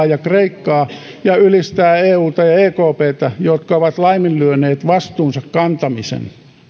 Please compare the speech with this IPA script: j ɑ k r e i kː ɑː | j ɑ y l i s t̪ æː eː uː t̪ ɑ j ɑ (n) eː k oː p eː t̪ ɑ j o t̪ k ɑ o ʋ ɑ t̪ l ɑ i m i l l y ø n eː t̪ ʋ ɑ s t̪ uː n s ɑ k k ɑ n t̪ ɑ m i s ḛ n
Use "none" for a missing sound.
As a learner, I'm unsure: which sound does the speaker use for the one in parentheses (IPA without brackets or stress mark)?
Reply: none